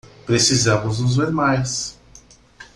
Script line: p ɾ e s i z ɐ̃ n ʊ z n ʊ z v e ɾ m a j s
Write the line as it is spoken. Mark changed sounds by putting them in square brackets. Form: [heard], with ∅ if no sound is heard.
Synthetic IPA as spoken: p ɾ e s i z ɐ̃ [m] ʊ z n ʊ z v e ɾ m a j s